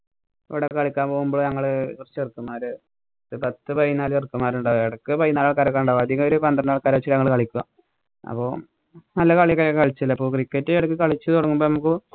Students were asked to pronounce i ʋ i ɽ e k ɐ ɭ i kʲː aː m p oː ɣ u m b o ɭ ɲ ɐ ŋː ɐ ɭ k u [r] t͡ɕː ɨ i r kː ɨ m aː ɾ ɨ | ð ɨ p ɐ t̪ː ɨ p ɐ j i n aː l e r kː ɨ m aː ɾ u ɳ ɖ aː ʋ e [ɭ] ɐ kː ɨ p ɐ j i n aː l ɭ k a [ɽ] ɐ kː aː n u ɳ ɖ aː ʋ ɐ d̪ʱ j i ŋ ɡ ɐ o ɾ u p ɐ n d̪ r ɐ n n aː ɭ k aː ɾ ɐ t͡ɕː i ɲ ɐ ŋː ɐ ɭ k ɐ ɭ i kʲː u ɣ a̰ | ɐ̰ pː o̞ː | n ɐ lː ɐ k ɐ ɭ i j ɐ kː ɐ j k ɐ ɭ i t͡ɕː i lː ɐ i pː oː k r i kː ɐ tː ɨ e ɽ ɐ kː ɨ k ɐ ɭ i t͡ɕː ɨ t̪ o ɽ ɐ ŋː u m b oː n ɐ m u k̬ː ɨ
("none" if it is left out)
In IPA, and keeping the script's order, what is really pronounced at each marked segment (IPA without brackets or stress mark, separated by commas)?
r, ɽ, ɾ